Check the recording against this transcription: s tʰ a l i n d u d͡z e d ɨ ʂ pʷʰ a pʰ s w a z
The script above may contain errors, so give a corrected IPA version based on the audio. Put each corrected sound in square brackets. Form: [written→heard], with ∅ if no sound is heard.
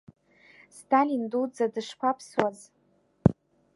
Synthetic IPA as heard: s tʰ a l i n d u d͡z [e→a] d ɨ ʂ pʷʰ a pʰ s w a z